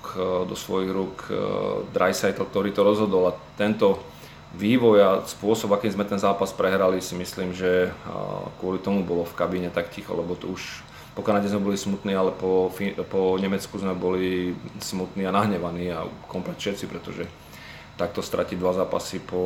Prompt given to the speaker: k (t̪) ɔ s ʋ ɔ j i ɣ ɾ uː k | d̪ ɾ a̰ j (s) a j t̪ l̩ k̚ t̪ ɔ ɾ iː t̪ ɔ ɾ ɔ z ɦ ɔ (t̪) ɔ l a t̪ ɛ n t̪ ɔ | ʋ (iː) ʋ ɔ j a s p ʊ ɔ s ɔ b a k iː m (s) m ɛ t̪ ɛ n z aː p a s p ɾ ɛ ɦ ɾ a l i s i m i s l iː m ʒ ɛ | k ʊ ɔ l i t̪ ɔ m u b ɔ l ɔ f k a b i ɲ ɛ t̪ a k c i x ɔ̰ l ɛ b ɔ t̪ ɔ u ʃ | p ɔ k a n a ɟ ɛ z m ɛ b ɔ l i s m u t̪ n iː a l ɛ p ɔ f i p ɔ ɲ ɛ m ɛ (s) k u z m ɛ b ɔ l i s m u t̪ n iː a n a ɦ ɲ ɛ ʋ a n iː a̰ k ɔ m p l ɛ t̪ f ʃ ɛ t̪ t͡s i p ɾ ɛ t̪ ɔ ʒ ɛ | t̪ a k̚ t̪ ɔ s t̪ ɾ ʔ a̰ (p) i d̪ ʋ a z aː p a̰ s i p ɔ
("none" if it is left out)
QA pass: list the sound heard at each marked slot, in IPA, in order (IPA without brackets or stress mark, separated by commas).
d̪, s, d̪, iː, z, t͡s, c